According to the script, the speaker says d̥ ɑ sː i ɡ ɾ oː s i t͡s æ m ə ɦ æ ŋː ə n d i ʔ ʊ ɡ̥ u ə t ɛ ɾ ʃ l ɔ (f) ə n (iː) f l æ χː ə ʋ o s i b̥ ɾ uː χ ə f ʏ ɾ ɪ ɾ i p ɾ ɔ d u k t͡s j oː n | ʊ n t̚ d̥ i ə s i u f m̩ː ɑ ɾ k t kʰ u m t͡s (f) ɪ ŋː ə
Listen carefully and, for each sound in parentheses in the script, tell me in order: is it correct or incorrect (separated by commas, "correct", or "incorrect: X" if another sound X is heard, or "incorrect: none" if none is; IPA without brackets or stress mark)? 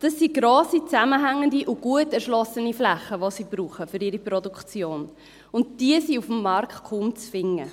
incorrect: s, incorrect: i, correct